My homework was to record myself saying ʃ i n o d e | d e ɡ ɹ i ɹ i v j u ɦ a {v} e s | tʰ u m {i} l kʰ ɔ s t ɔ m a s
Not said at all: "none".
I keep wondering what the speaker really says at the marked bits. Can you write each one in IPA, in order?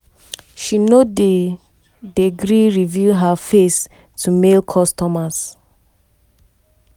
f, e

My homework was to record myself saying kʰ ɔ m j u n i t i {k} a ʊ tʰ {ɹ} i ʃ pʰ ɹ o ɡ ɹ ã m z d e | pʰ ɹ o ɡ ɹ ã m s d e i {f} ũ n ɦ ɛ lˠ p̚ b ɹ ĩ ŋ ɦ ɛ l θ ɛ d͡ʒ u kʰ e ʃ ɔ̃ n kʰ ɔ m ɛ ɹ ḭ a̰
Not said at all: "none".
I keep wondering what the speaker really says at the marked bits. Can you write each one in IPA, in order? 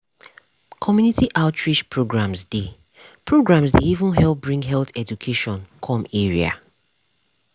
ʔ, ɹ, v

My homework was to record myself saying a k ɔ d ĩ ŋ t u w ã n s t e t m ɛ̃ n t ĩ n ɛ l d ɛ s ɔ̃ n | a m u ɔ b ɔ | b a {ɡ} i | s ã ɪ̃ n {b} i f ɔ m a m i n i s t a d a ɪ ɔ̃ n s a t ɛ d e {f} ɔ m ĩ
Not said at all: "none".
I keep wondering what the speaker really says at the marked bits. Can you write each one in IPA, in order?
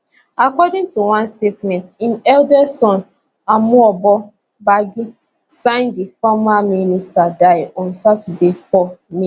ɡ, d, f

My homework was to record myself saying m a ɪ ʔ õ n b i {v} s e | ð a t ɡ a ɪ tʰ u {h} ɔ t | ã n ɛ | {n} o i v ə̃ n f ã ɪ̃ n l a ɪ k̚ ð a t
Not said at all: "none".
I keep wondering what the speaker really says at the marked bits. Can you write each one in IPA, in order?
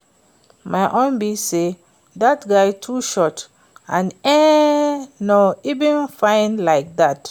none, ʃ, n

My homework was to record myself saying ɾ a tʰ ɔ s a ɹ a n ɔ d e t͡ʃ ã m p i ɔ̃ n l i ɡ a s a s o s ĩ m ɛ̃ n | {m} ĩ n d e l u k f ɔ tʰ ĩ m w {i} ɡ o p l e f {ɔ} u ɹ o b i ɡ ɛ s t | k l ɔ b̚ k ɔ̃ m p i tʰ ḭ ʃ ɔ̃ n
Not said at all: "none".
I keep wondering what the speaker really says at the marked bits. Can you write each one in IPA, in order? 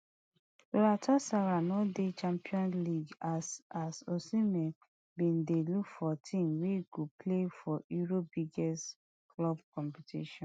b, e, ɔ

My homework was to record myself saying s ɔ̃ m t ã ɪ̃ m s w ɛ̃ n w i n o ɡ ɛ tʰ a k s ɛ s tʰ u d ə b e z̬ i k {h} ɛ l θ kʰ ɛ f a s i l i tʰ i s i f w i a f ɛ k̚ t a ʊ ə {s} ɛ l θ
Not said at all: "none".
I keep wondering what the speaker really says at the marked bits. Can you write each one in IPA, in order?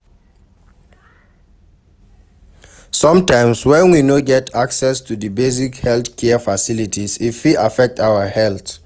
h, h

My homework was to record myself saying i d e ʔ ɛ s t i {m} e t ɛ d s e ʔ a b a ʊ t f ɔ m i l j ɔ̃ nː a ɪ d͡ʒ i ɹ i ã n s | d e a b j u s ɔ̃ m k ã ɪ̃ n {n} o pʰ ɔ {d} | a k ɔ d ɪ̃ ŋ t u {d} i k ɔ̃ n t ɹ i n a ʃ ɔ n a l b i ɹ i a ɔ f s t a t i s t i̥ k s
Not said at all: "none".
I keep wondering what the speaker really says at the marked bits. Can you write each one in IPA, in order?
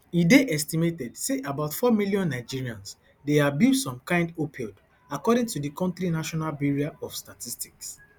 m, d, d, d

